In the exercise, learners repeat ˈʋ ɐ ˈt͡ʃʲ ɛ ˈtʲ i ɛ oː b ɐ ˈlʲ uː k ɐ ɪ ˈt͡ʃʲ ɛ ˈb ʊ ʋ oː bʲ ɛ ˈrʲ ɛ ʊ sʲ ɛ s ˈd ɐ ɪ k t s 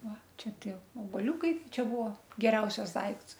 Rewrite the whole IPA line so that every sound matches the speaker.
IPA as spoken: ˈʋ ɐ ˈt͡ʃʲ ɛ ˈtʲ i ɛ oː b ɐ ˈlʲ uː k ɐ ɪ ˈt͡ʃʲ ɛ ˈb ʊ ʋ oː ɡʲ ɛ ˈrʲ ɛ ʊ sʲ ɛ s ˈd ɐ ɪ k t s